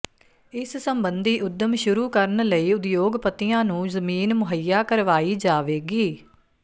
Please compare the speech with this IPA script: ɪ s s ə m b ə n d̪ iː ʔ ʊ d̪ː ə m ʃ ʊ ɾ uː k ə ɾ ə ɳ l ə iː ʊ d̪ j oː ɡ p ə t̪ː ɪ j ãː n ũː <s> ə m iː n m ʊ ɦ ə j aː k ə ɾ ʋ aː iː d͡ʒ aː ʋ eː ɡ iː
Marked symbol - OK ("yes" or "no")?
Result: no